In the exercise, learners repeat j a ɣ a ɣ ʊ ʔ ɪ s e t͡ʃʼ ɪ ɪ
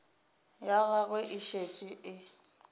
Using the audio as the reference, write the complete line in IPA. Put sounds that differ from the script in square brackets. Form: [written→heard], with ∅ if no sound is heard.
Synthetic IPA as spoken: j a ɣ a ɣ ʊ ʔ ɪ [s→ʃ] e t͡ʃʼ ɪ ɪ